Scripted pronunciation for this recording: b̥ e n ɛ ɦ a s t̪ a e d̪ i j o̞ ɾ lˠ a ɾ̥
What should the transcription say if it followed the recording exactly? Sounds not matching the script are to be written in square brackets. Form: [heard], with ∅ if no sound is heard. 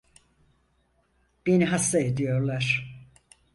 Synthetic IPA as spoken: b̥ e n [i] ɦ a s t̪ a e d̪ i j o̞ ɾ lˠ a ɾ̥